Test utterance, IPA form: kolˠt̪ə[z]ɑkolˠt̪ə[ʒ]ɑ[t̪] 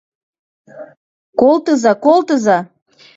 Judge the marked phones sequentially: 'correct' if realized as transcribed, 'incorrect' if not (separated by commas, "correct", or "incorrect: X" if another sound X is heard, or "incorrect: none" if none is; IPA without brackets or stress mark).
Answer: correct, incorrect: z, incorrect: none